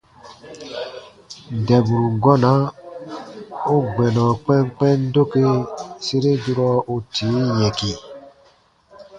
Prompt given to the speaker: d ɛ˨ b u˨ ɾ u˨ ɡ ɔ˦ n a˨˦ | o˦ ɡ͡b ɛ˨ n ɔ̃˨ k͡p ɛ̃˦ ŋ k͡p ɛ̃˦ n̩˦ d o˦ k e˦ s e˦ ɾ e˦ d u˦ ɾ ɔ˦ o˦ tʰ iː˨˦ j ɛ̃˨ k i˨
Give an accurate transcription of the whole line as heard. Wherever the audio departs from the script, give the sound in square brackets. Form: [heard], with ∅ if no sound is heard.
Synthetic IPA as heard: d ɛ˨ b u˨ ɾ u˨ ɡ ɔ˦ n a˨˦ | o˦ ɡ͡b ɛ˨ n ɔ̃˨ k͡p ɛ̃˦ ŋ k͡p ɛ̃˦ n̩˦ d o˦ k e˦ s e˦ ɾ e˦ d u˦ ɾ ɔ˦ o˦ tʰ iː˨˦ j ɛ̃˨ k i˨